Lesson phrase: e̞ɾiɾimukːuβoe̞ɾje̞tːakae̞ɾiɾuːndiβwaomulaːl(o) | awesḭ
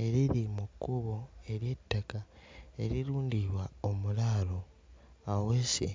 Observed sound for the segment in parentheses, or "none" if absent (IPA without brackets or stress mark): o